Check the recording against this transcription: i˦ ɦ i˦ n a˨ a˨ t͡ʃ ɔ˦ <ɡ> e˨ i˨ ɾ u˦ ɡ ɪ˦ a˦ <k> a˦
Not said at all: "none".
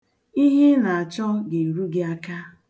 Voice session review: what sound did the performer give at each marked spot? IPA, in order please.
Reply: ɡ, k

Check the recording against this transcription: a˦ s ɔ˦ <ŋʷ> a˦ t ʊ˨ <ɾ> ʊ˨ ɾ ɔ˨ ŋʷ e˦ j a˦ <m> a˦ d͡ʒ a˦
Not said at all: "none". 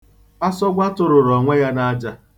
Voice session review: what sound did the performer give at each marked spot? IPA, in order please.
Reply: ɡʷ, ɾ, n

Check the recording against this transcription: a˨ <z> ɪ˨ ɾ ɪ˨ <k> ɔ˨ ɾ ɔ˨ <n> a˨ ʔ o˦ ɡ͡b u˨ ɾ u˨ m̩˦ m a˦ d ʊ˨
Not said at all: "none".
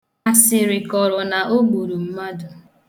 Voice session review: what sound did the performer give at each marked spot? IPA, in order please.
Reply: s, k, n

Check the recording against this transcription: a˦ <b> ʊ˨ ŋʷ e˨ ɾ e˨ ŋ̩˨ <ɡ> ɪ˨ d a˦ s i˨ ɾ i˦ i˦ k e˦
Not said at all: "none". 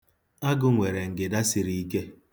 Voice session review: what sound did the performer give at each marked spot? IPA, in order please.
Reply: ɡ, ɡ

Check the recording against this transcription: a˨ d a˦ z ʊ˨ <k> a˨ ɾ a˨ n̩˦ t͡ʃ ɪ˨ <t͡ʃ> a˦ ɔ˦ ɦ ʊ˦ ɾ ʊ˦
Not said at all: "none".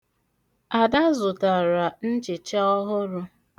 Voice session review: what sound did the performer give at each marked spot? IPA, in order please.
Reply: t, t͡ʃ

